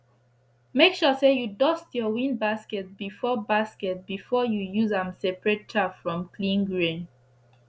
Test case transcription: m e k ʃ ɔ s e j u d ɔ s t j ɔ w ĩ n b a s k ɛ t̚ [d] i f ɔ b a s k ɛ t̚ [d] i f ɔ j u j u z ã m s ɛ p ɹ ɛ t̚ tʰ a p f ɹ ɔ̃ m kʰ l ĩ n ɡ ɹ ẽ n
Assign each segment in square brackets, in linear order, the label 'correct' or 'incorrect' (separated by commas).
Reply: incorrect, incorrect